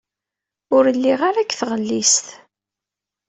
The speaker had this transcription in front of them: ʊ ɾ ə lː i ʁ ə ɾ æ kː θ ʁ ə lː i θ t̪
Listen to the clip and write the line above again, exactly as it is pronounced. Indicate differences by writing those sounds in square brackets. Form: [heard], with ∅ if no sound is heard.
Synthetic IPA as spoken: ʊ ɾ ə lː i ʁ [a] ɾ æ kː θ ʁ ə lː i [s] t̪